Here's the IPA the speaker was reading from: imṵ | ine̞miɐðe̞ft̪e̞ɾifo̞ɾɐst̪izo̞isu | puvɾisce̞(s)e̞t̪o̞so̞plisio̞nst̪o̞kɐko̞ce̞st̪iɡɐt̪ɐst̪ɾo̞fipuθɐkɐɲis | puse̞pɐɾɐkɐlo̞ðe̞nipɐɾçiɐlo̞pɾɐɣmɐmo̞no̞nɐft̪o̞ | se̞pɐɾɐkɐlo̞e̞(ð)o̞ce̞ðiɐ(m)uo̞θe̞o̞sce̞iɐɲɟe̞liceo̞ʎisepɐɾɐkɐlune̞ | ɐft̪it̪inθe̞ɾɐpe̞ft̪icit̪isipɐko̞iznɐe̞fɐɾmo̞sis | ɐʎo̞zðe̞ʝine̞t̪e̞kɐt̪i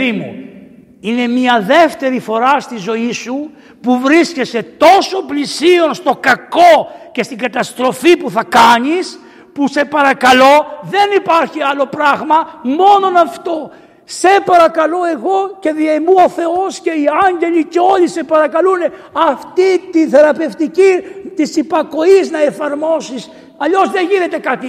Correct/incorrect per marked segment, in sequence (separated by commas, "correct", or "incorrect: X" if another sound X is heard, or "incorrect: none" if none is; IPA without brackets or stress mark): correct, incorrect: ɣ, correct